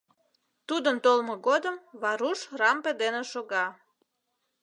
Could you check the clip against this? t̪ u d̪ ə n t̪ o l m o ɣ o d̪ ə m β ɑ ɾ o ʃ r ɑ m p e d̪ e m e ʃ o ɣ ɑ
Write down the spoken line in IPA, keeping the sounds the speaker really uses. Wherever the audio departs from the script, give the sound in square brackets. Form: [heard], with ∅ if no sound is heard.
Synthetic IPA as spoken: t̪ u d̪ ə n t̪ o l m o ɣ o d̪ ə m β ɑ ɾ [u] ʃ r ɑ m p e d̪ e [n] e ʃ o ɣ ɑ